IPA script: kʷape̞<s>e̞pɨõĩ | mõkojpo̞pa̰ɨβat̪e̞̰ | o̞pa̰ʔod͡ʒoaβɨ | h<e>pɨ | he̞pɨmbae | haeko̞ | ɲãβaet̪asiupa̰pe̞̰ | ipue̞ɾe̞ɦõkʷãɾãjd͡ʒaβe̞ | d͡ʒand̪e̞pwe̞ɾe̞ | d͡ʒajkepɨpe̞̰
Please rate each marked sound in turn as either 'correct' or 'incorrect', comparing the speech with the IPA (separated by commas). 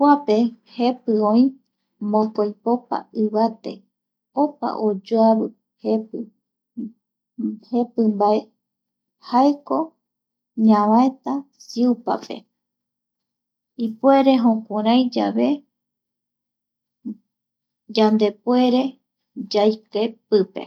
incorrect, correct